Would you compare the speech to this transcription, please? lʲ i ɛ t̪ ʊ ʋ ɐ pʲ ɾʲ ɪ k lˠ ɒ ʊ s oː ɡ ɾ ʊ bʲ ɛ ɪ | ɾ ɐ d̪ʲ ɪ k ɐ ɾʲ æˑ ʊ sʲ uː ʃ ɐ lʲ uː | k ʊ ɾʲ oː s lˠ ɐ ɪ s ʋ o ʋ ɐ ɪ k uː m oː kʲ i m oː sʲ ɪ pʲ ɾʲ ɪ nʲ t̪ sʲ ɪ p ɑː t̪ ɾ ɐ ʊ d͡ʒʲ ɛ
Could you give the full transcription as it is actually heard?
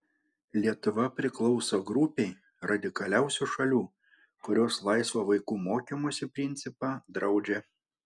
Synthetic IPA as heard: lʲ i ɛ t̪ ʊ ʋ ɐ pʲ ɾʲ ɪ k lˠ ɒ ʊ s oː ɡ ɾ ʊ pʲ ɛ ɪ | ɾ ɐ d̪ʲ ɪ k ɐ lʲ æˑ ʊ sʲ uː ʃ ɐ lʲ uː | k ʊ ɾʲ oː s lˠ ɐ ɪ s ʋ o ʋ ɐ ɪ k uː m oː kʲ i m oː sʲ ɪ pʲ ɾʲ ɪ nʲ t̪ sʲ ɪ p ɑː d̪ ɾ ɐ ʊ d͡ʒʲ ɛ

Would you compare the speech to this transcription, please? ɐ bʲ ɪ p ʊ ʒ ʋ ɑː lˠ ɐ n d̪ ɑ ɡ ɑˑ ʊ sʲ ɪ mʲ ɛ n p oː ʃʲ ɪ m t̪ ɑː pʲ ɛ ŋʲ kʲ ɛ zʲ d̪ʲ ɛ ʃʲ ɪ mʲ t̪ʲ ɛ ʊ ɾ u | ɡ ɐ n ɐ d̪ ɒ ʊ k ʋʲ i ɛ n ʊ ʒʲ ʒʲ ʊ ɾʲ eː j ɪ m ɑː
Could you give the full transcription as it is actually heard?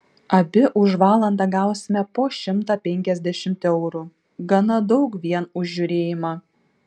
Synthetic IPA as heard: ɐ bʲ ɪ ʔ ʊ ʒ ʋ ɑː lˠ ɐ n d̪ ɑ ɡ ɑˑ ʊ sʲ ɪ mʲ ɛ p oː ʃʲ ɪ m t̪ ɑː pʲ ɛ ŋʲ kʲ ɛ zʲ d̪ʲ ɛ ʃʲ ɪ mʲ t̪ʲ ɛ ʊ ɾ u | ɡ ɐ n ɐ d̪ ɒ ʊ k ʋʲ i ɛ n ʊ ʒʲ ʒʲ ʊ ɾʲ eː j ɪ m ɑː

